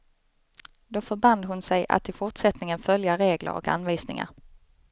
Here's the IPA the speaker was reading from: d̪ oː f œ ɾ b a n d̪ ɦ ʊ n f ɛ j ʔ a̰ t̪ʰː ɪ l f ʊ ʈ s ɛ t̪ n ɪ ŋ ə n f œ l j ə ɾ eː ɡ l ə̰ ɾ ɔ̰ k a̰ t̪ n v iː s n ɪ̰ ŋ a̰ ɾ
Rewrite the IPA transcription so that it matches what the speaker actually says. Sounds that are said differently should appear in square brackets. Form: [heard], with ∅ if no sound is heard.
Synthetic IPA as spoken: d̪ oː f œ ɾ b a n d̪ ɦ ʊ n [s] ɛ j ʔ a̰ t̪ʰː ɪ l f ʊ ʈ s ɛ t̪ n ɪ ŋ ə n f œ l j [a] ɾ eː ɡ l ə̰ ɾ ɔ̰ k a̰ [∅] n v iː s n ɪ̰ ŋ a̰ ɾ